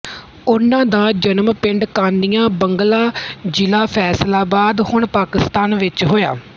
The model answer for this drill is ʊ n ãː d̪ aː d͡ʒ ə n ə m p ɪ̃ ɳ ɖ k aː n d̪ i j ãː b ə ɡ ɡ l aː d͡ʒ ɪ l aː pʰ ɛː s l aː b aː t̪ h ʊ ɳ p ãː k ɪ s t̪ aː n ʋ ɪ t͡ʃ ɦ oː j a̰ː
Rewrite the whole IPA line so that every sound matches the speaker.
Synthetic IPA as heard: ʊ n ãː d̪ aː d͡ʒ ə n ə m p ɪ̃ ɳ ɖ k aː n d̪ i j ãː b ə ŋ ɡ l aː d͡ʒ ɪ l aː pʰ ɛː s l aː b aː d̪ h ʊ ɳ p aː k ɪ s t̪ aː n ʋ ɪ t͡ʃ ɦ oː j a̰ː